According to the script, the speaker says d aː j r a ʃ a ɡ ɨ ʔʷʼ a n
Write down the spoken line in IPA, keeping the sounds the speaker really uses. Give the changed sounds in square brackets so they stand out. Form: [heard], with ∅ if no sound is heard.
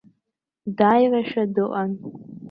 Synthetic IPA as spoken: d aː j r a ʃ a [d] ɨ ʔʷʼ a n